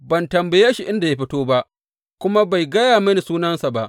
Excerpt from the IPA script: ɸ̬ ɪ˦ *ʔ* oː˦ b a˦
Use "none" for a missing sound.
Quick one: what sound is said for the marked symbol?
t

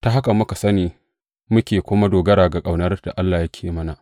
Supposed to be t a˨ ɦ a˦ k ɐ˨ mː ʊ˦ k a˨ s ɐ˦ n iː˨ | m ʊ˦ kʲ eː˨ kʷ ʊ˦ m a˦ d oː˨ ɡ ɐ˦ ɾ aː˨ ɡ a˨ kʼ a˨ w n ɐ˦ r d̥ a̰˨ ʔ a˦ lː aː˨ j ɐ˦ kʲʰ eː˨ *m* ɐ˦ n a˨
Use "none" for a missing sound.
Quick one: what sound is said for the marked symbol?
m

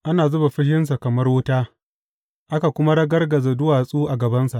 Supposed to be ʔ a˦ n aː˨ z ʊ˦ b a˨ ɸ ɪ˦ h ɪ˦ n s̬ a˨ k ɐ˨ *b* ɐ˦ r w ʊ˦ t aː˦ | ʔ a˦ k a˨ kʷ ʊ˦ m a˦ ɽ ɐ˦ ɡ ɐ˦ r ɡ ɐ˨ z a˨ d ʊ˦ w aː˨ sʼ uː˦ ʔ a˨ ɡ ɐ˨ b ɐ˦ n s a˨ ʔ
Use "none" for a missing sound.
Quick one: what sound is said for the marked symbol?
m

